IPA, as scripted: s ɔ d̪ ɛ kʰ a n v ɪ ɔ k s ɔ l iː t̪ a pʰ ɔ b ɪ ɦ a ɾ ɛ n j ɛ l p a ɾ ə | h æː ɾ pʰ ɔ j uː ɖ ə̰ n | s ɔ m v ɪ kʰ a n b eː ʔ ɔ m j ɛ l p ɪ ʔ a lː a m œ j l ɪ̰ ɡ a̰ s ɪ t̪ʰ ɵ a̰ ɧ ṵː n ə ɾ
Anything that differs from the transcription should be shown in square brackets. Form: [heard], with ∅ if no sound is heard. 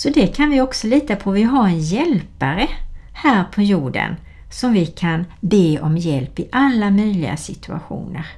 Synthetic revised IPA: s ɔ d̪ ɛ kʰ a n v ɪ ɔ k s ɔ l iː t̪ a pʰ ɔ [v] ɪ ɦ a ɾ ɛ n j ɛ l p a ɾ ə | h æː ɾ pʰ ɔ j uː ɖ ə̰ n | s ɔ m v ɪ kʰ a n b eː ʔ ɔ m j ɛ l p ɪ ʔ a lː a m œ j l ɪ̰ ɡ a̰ s ɪ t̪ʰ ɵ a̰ ɧ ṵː n ə ɾ